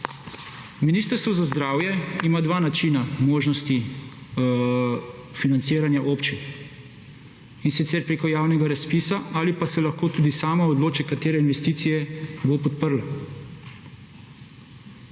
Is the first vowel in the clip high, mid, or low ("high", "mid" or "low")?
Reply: high